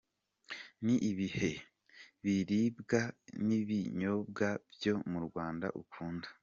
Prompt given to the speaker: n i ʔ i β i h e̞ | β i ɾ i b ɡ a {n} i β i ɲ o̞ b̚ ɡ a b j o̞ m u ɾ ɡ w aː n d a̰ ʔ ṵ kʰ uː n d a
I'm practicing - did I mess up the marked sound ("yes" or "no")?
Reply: no